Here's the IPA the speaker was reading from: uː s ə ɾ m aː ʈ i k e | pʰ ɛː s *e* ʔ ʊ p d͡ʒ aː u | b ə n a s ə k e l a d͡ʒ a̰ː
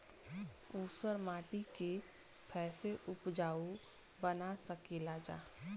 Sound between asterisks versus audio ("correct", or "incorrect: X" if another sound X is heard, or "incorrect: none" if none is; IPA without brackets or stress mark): correct